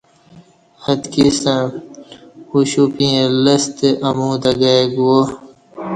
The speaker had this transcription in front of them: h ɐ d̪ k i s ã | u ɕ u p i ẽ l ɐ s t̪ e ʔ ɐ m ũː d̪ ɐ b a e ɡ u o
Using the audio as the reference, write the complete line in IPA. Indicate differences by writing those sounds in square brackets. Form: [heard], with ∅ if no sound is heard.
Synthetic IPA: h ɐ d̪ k i s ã | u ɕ u p i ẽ l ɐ s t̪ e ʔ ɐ m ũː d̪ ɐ [ɡ] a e ɡ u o